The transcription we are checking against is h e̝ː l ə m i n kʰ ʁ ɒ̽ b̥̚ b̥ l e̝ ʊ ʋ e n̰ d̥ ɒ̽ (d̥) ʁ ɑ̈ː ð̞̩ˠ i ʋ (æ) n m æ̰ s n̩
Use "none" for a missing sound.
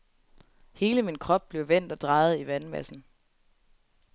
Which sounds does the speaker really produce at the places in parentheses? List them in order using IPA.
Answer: d̥, æ

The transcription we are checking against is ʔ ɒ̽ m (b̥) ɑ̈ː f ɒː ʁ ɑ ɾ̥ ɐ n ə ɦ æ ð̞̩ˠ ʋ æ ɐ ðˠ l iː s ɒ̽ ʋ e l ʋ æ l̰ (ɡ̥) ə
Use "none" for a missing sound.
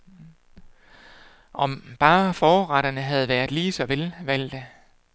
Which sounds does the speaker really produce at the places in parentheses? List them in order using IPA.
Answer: b̥, d̥

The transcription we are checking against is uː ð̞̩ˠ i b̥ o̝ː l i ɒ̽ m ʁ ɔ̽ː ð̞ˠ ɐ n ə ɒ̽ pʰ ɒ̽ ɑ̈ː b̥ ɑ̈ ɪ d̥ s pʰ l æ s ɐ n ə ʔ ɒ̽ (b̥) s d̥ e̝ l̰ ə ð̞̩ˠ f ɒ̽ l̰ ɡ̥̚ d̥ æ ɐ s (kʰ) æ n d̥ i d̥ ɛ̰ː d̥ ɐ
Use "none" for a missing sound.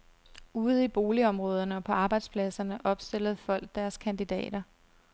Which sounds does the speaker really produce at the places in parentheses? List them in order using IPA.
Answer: b̥, kʰ

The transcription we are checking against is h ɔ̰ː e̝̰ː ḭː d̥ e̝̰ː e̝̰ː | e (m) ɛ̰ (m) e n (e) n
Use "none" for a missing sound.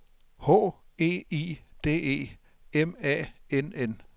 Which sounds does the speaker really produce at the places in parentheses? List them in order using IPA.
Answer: m, none, e

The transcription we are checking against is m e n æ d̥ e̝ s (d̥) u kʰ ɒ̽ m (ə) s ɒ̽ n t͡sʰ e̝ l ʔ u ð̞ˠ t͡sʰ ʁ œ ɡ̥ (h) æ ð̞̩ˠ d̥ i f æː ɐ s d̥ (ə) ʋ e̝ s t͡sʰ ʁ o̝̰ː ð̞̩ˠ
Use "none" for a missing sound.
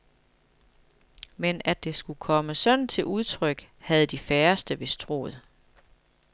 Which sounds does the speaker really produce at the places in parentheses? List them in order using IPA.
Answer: ɡ̥, ə, h, ə

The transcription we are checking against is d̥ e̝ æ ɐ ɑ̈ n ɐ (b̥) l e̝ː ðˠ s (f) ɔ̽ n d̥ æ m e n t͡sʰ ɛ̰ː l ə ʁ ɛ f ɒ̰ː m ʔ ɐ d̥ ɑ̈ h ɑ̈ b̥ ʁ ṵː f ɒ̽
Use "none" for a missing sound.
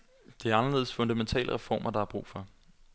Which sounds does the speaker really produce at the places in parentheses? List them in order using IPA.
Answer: none, f

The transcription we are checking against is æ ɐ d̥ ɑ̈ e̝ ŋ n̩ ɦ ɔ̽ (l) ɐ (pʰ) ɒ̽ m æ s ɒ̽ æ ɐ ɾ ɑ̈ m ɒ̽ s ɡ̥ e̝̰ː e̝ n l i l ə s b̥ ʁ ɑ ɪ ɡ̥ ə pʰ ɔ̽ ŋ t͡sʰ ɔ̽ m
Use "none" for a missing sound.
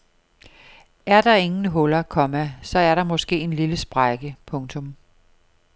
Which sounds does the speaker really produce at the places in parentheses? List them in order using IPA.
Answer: l, kʰ

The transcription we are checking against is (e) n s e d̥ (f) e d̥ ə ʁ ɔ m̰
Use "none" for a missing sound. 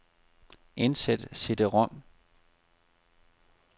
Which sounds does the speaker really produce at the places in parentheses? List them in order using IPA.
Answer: e, s

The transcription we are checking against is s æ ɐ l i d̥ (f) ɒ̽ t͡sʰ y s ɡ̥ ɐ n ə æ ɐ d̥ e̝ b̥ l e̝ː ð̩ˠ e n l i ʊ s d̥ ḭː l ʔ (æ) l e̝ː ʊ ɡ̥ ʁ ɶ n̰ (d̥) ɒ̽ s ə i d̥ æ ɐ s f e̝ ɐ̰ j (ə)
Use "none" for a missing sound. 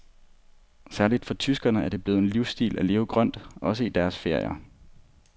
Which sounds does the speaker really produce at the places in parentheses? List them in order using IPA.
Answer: f, æ, d̥, ɐ

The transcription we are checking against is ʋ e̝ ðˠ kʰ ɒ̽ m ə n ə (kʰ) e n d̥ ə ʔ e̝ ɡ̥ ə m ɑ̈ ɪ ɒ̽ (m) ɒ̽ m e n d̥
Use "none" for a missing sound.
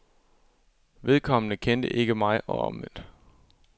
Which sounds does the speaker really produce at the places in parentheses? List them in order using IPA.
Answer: kʰ, none

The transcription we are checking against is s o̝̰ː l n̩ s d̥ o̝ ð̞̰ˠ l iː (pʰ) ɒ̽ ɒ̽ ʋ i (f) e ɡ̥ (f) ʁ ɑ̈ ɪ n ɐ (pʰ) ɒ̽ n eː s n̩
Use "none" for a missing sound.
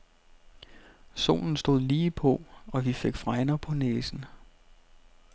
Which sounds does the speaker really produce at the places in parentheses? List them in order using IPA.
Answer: pʰ, f, f, pʰ

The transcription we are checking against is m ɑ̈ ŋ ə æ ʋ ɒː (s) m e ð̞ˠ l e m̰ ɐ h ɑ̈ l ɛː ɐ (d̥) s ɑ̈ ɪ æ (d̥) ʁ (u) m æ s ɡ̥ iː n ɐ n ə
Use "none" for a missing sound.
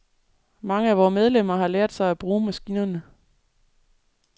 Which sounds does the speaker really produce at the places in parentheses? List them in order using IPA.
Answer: none, d̥, b̥, uː

